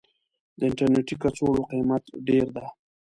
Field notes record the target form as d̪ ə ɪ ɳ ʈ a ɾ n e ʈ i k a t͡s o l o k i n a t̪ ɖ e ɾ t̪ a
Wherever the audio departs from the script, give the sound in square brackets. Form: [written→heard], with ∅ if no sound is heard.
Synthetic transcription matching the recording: d̪ ə ɪ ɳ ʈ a ɾ n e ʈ i k a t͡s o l o [k→q] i [n→m] a t̪ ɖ e ɾ [t̪→d̪] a